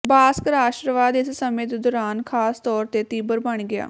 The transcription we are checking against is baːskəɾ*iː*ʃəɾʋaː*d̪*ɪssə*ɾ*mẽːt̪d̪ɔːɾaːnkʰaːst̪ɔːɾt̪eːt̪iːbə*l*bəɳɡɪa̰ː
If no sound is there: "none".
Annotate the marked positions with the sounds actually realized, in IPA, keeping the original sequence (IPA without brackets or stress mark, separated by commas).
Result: aː, d̪, none, ɾ